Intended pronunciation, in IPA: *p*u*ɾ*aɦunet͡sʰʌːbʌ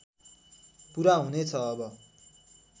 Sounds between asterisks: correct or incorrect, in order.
correct, correct

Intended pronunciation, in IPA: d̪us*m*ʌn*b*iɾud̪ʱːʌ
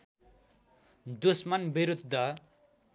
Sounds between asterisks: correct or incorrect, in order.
correct, correct

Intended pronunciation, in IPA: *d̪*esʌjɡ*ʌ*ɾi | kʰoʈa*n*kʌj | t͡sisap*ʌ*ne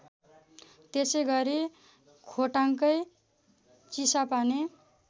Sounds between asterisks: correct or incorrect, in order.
incorrect: t̪, correct, incorrect: ŋ, incorrect: a

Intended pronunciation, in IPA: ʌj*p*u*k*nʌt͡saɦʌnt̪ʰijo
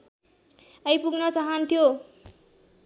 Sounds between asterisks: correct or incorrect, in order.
correct, incorrect: ɡ

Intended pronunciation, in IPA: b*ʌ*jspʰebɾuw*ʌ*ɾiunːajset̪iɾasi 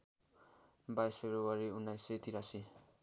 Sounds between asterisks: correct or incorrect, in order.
incorrect: a, incorrect: a

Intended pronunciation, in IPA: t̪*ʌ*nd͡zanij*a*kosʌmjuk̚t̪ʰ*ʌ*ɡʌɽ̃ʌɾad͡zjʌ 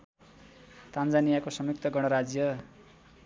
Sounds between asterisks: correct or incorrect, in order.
incorrect: a, correct, correct

